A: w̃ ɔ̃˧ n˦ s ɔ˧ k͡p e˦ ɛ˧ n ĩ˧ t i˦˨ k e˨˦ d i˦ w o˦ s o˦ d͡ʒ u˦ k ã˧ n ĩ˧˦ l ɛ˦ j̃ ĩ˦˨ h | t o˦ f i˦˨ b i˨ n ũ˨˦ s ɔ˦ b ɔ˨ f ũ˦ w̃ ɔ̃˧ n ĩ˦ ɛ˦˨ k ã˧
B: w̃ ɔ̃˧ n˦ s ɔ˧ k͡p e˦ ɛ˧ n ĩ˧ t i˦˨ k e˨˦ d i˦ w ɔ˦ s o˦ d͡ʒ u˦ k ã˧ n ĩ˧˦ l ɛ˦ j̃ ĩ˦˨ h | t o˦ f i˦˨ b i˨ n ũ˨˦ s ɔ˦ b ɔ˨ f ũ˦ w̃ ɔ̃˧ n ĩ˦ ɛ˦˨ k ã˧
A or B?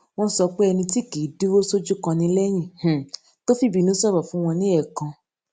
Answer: A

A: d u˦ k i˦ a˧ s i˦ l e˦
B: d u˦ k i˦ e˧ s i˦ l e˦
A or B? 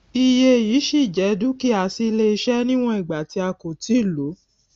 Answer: A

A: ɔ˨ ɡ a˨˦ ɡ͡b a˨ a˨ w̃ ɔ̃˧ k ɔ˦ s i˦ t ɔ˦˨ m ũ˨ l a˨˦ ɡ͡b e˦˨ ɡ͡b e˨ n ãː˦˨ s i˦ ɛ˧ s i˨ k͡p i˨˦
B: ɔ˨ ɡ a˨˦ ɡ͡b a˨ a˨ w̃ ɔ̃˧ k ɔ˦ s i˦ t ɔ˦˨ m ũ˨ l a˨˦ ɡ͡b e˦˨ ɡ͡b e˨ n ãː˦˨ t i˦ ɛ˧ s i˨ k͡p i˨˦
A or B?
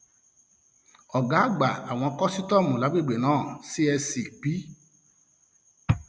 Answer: A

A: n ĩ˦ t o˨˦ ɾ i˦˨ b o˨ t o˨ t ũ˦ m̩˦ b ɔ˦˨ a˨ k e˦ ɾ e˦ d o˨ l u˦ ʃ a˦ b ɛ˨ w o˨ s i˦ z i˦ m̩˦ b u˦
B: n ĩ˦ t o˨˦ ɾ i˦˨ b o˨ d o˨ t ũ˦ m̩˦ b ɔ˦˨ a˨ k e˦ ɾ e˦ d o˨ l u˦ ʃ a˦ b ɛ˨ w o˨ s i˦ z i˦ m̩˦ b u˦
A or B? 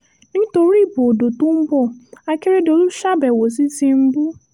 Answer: B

